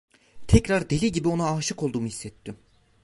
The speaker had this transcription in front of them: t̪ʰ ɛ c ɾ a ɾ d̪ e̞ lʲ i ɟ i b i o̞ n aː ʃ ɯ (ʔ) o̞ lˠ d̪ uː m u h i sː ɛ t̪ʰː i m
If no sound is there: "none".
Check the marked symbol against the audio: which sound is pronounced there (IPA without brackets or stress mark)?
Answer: k